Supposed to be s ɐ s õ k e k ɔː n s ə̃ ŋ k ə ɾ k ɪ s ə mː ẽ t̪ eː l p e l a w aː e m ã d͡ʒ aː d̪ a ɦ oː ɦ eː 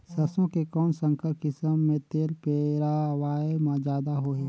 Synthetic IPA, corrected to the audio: s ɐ s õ k e k ɔː n s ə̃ ŋ k ə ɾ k ɪ s ə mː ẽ t̪ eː l p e ɾ a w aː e m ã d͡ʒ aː d̪ a ɦ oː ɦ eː